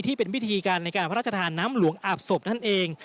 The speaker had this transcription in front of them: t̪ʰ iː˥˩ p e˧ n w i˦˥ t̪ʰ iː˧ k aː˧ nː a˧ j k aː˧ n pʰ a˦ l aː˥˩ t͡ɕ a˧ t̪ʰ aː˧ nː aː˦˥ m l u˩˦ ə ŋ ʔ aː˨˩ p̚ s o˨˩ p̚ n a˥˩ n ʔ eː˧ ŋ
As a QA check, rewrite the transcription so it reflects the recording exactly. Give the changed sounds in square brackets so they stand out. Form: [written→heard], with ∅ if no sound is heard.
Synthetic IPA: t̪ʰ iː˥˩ p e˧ n w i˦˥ t̪ʰ iː˧ k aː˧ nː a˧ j k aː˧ n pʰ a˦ [l→ɾ] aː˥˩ t͡ɕ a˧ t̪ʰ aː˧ nː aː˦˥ m l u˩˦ ə ŋ ʔ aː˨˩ p̚ s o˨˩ p̚ n a˥˩ n ʔ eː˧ ŋ